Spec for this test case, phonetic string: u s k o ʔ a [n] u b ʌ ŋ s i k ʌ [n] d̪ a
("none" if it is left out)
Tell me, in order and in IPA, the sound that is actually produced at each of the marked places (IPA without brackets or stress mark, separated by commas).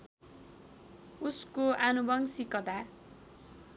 n, none